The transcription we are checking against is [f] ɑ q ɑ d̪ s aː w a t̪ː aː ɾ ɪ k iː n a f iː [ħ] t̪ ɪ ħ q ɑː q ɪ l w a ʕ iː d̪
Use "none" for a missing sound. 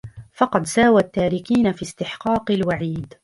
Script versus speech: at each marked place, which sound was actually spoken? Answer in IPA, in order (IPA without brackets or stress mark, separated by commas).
f, s